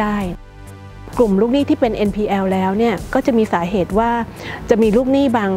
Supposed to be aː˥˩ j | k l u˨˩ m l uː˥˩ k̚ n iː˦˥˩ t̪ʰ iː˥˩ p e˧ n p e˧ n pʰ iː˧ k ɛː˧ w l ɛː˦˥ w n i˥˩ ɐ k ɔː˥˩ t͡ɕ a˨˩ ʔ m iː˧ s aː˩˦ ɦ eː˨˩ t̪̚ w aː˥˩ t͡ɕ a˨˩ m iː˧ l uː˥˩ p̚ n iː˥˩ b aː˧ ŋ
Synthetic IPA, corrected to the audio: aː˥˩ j | k l u˨˩ m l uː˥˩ k̚ n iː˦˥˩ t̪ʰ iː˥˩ p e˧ n ʔ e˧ n pʰ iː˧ ʔ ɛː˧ w l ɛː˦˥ w n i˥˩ ɐ k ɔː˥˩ t͡ɕ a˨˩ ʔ m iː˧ s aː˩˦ ɦ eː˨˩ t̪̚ w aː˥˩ t͡ɕ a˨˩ m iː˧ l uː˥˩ k̚ n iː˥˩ b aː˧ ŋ